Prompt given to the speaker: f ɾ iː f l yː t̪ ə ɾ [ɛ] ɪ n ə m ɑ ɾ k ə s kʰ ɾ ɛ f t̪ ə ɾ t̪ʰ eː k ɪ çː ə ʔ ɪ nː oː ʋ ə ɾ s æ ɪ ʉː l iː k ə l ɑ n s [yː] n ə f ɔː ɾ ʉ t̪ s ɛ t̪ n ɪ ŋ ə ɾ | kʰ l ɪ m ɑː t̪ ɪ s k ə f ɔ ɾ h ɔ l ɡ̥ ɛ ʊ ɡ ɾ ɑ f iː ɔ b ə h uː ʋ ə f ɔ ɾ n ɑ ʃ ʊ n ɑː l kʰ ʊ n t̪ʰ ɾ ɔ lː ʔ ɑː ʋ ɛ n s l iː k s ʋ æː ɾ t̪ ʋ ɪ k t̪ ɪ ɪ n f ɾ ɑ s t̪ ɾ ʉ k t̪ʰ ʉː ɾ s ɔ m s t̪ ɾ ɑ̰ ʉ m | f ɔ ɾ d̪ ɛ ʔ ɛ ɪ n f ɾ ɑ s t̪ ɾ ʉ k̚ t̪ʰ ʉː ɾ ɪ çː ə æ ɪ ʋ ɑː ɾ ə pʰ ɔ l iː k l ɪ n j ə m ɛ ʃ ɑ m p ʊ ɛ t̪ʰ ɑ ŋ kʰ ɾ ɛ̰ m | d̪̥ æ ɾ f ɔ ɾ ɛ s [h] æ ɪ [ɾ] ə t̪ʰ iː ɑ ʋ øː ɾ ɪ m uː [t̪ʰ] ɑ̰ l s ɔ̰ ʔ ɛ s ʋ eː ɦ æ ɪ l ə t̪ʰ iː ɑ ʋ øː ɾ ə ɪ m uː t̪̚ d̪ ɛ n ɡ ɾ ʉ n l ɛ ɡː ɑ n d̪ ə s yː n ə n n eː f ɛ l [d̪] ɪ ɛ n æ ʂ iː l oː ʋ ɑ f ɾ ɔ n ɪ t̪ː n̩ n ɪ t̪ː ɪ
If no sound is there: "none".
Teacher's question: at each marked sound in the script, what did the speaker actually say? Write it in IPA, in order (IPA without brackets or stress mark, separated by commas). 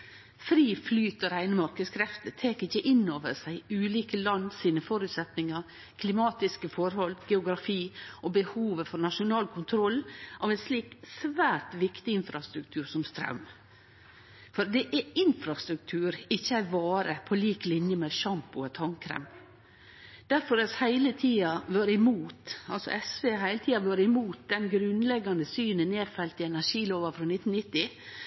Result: æ, iː, h, l, t̪, t̪